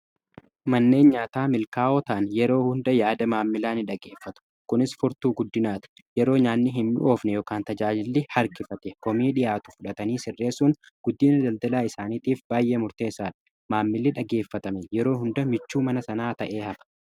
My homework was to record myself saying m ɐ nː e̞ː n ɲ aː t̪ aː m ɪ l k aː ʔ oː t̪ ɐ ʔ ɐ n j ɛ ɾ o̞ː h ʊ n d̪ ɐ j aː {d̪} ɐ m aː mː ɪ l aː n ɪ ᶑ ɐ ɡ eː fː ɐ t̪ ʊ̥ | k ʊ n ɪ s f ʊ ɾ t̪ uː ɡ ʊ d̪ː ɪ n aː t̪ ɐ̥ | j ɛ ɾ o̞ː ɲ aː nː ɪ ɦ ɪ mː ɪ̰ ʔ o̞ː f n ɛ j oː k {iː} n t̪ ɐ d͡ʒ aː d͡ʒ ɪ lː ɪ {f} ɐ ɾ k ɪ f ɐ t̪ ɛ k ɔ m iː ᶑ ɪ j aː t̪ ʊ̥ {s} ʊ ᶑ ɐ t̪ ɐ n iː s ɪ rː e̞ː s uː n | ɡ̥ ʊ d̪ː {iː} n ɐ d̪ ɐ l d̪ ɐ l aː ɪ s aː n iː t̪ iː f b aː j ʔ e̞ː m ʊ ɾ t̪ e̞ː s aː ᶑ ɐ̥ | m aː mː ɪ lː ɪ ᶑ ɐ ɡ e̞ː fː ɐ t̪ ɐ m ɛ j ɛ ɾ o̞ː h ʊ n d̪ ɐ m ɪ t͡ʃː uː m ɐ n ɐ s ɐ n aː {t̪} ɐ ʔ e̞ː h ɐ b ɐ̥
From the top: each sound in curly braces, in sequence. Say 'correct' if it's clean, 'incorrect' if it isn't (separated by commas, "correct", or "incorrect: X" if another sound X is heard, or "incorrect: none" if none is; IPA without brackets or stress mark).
correct, incorrect: aː, incorrect: h, incorrect: f, correct, correct